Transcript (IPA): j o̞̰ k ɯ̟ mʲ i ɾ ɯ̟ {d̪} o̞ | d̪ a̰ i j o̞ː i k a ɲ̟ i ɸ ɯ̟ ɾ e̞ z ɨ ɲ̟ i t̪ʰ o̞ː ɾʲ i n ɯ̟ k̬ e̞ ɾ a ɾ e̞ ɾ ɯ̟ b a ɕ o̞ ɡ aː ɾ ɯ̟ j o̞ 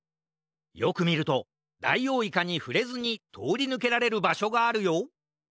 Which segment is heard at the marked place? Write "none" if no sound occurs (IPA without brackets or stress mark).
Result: t̪